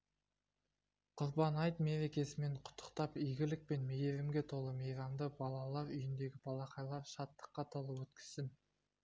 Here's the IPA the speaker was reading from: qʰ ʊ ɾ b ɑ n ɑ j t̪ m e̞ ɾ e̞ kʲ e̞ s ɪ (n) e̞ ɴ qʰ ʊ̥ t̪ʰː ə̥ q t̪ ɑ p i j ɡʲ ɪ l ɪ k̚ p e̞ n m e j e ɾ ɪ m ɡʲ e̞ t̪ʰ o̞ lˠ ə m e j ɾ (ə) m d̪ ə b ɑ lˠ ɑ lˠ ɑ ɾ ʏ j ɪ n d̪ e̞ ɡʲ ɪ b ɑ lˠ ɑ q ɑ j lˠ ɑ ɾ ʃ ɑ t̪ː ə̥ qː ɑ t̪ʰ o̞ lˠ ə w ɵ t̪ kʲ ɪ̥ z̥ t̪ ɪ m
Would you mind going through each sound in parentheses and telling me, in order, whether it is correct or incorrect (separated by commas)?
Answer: incorrect, incorrect